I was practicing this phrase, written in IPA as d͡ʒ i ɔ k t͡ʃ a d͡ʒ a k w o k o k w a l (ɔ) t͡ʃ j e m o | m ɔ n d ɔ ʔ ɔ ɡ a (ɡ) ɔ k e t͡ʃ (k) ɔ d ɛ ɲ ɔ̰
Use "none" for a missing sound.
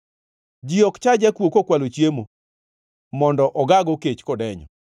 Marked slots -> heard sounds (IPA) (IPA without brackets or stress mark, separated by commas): o, ɡ, k